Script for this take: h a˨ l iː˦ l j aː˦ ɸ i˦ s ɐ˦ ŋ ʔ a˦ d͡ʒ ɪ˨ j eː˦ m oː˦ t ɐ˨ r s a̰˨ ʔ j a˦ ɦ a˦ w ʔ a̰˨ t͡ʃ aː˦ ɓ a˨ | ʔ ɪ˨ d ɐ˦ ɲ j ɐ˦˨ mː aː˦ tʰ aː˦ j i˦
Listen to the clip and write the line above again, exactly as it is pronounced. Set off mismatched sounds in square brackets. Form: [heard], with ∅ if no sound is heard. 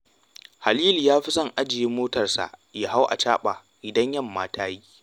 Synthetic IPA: h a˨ l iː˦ l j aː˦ ɸ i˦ s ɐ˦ ŋ ʔ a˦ d͡ʒ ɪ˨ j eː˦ m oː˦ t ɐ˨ r s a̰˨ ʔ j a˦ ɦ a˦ w ʔ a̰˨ t͡ʃ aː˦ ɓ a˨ | ʔ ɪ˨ d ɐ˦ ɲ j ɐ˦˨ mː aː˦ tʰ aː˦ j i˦